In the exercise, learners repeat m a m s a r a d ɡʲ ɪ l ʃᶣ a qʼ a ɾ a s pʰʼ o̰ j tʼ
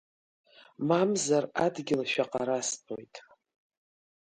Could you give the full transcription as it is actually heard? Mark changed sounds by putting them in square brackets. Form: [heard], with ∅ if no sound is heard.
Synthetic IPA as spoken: m a m [z] a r a d ɡʲ ɪ l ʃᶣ a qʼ a ɾ a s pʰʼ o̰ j tʼ